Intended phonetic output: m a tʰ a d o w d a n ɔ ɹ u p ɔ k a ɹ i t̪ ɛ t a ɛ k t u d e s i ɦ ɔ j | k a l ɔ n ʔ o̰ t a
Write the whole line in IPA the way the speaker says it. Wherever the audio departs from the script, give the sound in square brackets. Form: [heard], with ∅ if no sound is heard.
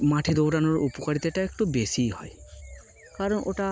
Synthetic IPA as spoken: m a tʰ [i] d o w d a n ɔ ɹ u p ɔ k a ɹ i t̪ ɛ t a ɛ k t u [b] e s i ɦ ɔ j | k a [ɹ] ɔ n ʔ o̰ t a